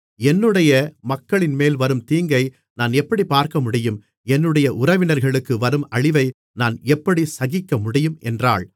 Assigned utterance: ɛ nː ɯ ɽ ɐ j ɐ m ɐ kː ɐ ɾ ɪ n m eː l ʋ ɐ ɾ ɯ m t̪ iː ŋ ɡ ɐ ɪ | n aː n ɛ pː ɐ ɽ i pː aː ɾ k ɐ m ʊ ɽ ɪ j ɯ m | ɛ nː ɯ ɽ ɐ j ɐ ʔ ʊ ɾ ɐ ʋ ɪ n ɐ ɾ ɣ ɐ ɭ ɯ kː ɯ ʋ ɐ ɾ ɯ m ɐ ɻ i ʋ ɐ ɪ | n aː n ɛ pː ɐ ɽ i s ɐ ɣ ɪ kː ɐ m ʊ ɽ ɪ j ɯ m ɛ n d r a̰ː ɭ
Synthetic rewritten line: ɛ nː ɯ ɽ ɐ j ɐ m ɐ kː ɐ ɭ ɪ n m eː l ʋ ɐ ɾ ɯ m t̪ iː ŋ ɡ ɐ ɪ | n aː n ɛ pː ɐ ɽ i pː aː ɾ k ɐ m ʊ ɽ ɪ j ɯ m | ɛ nː ɯ ɽ ɐ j ɐ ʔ ʊ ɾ ɐ ʋ ɪ n ɐ ɾ ɣ ɐ ɭ ɯ kː ɯ ʋ ɐ ɾ ɯ m ɐ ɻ ɪ ʋ ɐ ɪ | n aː n ɛ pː ɐ ɽ i s ɐ ɣ ɪ kː ɐ m ʊ ɽ ɪ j ɯ m ɛ n d r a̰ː ɭ